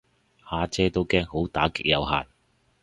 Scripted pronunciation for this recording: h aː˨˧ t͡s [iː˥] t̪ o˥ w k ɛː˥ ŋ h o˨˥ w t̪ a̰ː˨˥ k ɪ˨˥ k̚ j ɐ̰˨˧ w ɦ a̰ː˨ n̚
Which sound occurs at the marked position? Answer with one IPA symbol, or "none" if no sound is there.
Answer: ɛː˥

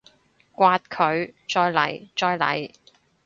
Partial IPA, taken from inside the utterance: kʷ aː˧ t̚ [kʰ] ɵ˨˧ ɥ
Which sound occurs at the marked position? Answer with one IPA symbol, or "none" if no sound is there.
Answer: kʰ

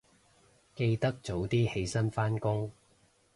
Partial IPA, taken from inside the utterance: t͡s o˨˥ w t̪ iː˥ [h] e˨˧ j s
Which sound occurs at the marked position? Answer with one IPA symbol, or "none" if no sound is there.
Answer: h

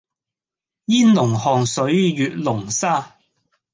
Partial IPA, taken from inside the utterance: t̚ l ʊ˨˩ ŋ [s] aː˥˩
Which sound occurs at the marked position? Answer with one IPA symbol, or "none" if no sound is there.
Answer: s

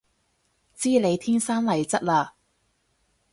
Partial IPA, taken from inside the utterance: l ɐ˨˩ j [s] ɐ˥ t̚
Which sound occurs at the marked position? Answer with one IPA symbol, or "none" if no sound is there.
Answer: t͡s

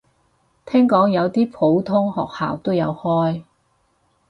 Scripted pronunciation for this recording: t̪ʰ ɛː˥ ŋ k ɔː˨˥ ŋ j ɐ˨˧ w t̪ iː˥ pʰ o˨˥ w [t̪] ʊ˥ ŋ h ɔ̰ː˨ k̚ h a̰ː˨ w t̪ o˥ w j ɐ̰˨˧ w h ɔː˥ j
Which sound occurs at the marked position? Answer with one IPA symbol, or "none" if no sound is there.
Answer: t̪ʰ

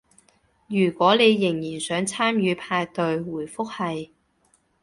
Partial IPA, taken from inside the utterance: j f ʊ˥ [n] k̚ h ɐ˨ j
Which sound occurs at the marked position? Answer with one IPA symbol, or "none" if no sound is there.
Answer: none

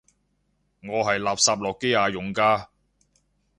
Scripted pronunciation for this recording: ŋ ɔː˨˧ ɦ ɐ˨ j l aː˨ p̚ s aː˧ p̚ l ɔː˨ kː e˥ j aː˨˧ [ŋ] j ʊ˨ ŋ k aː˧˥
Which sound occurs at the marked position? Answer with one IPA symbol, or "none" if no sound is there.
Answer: none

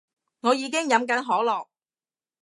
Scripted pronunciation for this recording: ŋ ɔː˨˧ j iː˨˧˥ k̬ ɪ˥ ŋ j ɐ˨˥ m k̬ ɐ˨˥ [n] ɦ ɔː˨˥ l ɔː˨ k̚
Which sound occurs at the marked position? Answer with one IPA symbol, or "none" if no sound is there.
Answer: n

